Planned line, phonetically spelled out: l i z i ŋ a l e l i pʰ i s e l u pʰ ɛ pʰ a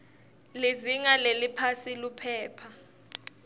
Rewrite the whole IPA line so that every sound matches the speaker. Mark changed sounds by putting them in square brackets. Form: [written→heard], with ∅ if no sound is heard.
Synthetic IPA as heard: l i z i ŋ a l e l i pʰ [i→a] s [e→i] l u pʰ [ɛ→ɛː] pʰ a